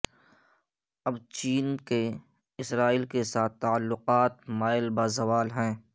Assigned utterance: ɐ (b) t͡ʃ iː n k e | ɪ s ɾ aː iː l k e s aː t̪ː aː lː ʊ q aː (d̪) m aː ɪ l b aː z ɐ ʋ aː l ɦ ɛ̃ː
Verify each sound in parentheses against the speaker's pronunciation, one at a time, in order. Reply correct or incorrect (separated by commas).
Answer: correct, incorrect